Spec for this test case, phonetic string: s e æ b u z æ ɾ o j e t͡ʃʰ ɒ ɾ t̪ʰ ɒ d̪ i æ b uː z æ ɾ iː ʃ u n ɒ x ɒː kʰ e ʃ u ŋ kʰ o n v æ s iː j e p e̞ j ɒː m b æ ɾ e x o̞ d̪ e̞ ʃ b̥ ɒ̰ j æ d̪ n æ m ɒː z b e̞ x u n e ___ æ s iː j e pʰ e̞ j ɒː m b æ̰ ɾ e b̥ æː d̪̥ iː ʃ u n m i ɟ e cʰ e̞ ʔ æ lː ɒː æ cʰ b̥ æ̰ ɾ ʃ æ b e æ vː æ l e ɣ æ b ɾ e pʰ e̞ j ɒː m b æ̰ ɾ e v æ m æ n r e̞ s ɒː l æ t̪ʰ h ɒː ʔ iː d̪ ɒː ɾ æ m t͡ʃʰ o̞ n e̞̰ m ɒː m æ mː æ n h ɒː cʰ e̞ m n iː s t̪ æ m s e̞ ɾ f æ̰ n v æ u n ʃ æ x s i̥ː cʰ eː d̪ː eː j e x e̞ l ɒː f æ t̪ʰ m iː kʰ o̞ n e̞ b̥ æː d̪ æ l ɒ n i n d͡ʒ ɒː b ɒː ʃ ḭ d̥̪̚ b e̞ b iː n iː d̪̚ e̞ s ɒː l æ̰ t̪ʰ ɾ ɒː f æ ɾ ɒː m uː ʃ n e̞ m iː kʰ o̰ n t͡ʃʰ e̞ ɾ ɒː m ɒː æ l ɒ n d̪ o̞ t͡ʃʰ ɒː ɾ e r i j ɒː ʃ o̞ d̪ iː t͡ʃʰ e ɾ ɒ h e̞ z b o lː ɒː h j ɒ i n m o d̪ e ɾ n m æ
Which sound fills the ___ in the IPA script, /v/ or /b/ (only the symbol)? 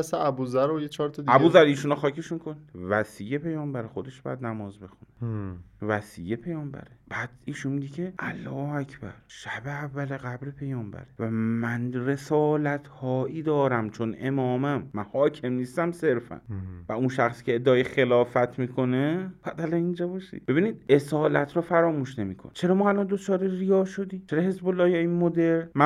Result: v